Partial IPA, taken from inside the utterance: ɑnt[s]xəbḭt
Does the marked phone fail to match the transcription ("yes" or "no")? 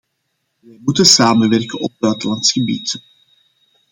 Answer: no